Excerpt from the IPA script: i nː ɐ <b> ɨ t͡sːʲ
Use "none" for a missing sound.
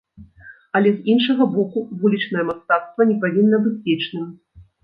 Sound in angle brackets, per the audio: b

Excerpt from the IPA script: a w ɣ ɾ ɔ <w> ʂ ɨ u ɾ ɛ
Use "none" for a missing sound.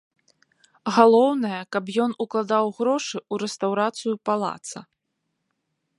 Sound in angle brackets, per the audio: none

